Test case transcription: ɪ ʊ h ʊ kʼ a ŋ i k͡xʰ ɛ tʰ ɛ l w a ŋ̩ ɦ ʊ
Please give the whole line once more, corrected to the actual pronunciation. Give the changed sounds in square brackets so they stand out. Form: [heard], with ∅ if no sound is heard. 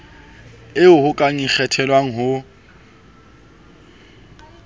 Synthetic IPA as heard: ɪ ʊ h ʊ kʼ a ŋ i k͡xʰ ɛ tʰ ɛ l w a ŋ̩ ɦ ʊ

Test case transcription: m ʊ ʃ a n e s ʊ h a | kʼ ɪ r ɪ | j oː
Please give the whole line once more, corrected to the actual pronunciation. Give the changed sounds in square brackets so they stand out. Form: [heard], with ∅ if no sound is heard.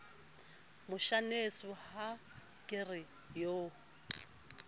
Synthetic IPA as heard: m ʊ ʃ a n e s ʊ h a | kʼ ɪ r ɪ | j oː

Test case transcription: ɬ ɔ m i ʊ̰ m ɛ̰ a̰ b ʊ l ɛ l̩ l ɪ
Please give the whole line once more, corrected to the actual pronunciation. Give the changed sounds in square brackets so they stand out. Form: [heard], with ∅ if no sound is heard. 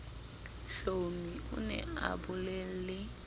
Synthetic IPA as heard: ɬ [o] m i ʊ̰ [n] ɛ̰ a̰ b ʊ l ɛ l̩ l ɪ

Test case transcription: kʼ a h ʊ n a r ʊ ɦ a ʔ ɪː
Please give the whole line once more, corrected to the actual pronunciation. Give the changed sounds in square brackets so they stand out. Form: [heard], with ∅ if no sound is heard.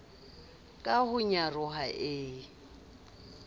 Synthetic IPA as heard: kʼ a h ʊ [ɲ] a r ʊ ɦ a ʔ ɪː

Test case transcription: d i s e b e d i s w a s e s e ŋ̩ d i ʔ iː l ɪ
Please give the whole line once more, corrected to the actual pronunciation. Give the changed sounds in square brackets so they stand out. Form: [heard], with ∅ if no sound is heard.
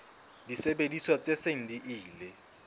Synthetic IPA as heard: d i s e b e d i s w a [t͡s] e s e ŋ̩ d i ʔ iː l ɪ

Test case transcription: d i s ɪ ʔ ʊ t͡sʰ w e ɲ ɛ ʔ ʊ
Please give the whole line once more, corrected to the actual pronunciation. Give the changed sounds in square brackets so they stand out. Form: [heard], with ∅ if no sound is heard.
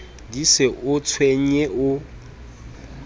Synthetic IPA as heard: d i s ɪ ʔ ʊ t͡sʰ w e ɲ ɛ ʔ ʊ

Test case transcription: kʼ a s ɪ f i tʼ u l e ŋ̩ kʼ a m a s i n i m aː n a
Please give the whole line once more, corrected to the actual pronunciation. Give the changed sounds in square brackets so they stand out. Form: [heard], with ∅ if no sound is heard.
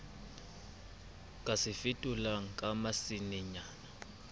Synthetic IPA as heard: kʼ a s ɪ f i tʼ u l [a] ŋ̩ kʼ a m a s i n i [ɲ] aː n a

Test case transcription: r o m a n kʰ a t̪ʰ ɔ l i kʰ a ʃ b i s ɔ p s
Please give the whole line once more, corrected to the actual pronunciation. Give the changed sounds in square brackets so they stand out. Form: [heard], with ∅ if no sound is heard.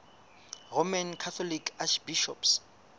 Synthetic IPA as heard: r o m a n kʰ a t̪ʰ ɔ l i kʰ a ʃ b i [ʃ] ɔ p s

